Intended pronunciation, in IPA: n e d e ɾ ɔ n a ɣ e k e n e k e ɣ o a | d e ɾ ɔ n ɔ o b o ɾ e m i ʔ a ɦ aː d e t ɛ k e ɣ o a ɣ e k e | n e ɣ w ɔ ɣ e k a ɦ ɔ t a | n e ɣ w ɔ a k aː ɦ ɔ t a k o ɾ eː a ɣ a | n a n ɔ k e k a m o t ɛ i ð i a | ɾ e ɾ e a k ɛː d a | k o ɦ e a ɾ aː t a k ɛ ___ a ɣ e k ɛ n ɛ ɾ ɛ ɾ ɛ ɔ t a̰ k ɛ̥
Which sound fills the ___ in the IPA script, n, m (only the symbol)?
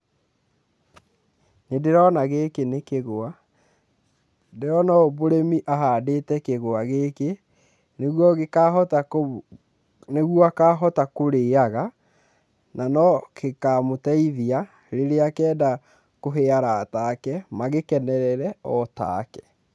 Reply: m